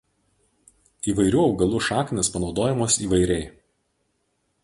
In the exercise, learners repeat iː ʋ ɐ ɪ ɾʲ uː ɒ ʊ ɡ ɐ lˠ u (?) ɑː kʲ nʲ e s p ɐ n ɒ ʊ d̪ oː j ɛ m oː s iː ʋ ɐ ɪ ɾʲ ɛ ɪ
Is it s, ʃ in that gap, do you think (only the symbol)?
ʃ